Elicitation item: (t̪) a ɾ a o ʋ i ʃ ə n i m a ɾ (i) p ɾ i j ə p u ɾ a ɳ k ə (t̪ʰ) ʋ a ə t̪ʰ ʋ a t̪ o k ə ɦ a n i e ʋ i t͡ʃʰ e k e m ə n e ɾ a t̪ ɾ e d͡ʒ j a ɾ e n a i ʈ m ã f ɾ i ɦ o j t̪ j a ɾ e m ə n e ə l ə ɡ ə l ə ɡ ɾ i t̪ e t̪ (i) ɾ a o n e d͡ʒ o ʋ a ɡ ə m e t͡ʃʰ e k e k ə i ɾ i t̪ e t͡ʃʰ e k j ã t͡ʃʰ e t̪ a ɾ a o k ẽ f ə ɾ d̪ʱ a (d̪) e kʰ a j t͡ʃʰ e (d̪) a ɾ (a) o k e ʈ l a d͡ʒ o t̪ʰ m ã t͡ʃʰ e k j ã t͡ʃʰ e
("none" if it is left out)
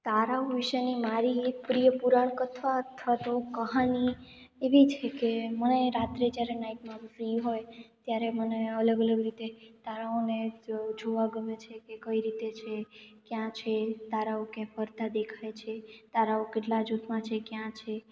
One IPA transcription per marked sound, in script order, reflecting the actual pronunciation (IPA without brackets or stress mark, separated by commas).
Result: t̪, i, t̪ʰ, a, d̪, t̪, a